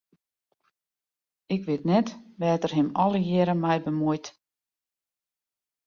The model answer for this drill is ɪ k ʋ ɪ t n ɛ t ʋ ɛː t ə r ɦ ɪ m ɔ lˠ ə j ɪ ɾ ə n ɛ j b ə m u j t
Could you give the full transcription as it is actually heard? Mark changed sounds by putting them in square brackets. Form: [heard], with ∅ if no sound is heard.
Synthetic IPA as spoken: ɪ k ʋ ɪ t n ɛ t ʋ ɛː t ə r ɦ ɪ m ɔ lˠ ə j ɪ ɾ ə [m] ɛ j b ə m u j t